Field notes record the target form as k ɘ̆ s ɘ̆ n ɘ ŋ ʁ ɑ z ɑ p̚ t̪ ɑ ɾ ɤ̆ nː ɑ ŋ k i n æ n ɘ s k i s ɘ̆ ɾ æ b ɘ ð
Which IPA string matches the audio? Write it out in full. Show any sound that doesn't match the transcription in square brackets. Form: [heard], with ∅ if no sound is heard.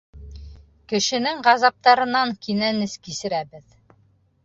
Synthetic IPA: k ɘ̆ [ʃ] ɘ̆ n ɘ ŋ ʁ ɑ z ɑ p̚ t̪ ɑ ɾ ɤ̆ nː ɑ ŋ k i n æ n ɘ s k i s ɘ̆ ɾ æ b ɘ ð

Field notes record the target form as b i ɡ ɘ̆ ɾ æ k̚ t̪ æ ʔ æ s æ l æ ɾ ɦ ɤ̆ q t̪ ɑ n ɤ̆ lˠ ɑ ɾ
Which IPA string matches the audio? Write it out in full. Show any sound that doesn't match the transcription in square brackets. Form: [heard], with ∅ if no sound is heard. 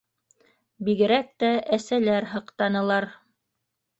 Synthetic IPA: b i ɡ ɘ̆ ɾ æ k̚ t̪ æ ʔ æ s æ l æ ɾ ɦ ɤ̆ q t̪ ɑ n ɤ̆ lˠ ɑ ɾ

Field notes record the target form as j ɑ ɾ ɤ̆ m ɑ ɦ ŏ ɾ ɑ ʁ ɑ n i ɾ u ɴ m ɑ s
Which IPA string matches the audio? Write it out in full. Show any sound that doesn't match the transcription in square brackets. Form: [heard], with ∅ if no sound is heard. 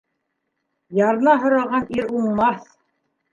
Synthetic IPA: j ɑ ɾ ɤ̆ [n] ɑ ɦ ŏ ɾ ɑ ʁ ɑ n i ɾ u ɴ m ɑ [θ]

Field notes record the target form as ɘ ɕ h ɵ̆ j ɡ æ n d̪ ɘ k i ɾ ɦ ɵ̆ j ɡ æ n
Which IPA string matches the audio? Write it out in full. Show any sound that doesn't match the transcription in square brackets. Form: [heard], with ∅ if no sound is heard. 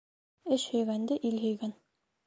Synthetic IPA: ɘ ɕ h ɵ̆ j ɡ æ n d̪ ɘ [ʔ] i [l] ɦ ɵ̆ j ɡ æ n

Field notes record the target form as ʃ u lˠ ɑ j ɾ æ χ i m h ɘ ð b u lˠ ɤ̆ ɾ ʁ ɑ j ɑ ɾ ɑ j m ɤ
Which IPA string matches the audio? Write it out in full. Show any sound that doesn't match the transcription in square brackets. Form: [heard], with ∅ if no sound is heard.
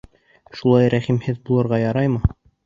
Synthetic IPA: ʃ u lˠ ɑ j ɾ æ χ i m h ɘ ð b u lˠ ɤ̆ ɾ ʁ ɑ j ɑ ɾ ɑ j m ɤ

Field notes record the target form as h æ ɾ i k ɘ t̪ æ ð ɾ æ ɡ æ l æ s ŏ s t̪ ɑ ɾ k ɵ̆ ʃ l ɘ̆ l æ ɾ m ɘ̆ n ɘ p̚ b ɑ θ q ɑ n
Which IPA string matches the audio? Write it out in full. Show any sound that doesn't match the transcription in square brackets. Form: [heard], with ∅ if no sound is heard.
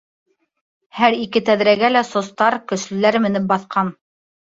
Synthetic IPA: h æ ɾ i k ɘ t̪ æ ð ɾ æ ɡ æ l æ s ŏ s t̪ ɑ ɾ k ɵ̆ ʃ l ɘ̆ l æ ɾ m ɘ̆ n ɘ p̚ b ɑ θ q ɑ n

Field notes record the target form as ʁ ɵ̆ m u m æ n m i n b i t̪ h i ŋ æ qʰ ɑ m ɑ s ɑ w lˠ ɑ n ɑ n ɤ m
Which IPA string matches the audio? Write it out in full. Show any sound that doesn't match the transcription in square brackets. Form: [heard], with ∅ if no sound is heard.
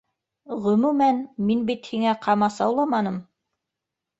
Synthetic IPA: ʁ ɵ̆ m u m æ n m i n b i t̪ h i ŋ æ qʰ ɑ m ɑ s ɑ w lˠ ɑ [m] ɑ n ɤ m

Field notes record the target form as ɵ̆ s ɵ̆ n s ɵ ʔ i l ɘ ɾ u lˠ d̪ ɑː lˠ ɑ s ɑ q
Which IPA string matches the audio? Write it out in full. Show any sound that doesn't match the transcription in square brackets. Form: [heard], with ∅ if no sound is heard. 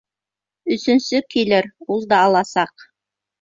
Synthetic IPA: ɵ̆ s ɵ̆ n s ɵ [k] i l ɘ ɾ u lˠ d̪ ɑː lˠ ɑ s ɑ q

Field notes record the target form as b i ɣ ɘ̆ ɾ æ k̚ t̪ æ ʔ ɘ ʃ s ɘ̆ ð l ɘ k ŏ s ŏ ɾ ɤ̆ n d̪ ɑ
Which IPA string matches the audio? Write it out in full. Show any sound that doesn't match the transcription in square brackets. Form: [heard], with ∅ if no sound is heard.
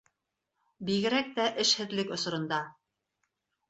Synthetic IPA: b i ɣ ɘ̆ ɾ æ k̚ t̪ æ ʔ ɘ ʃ [h] ɘ̆ ð l ɘ k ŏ s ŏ ɾ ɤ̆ n d̪ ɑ

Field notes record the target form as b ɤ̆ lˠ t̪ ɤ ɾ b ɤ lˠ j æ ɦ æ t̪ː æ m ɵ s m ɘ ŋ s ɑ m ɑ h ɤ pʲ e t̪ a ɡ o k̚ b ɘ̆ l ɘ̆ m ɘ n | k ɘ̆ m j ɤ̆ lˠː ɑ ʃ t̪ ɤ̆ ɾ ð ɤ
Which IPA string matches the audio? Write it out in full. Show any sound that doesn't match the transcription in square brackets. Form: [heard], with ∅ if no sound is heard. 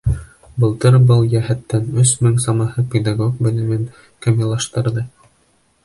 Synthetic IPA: b ɤ̆ lˠ t̪ ɤ ɾ b ɤ lˠ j æ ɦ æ t̪ː æ [n] ɵ s m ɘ ŋ s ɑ m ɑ h ɤ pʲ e [d̪] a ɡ o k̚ b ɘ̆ l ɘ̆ m ɘ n | k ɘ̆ m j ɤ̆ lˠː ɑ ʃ t̪ ɤ̆ ɾ ð ɤ

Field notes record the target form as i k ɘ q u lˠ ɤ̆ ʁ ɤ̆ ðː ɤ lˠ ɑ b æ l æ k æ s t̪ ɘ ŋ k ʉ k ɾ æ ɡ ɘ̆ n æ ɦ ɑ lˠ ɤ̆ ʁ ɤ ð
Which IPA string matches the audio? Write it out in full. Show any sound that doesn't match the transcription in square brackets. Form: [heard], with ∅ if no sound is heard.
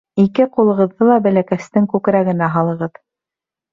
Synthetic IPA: i k ɘ q u lˠ ɤ̆ ʁ ɤ̆ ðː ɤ lˠ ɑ b æ l æ k æ s t̪ ɘ ŋ k ʉ k ɾ æ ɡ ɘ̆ n æ ɦ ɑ lˠ ɤ̆ ʁ ɤ ð

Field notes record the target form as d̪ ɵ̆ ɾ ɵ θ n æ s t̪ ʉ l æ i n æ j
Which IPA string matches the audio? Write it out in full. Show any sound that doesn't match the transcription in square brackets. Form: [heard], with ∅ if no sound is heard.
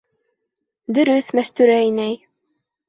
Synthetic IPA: d̪ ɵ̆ ɾ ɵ θ [m] æ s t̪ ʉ [ɾ] æ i n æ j

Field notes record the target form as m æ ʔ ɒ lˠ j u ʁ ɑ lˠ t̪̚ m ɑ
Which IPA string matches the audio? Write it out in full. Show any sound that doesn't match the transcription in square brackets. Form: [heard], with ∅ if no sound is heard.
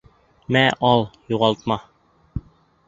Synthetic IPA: m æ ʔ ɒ lˠ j u ʁ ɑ lˠ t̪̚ m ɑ

